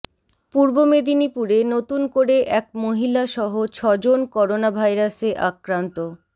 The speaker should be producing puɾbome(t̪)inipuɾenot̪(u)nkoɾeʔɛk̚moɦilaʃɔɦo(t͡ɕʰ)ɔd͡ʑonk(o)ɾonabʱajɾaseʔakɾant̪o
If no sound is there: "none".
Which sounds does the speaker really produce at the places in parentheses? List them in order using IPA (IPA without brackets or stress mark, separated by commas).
d̪, u, t͡ɕʰ, ɔ